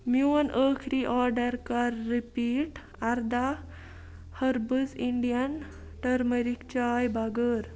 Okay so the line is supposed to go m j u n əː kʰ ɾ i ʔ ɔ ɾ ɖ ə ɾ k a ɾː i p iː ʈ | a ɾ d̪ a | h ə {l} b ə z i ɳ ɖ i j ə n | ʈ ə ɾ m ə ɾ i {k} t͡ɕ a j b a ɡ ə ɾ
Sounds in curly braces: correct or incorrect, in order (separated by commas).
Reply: incorrect, correct